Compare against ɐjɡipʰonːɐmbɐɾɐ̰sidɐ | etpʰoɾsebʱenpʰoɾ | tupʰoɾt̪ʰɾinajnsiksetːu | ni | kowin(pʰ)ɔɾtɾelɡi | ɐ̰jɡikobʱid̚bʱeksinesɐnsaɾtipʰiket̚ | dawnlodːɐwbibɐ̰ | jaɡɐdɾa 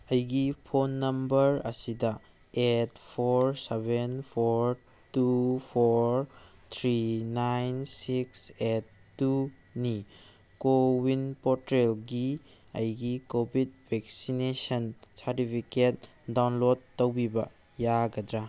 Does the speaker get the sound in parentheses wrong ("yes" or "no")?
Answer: yes